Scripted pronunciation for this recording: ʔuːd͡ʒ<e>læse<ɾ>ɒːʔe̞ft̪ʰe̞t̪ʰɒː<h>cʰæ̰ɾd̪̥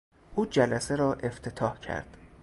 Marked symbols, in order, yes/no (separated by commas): no, yes, yes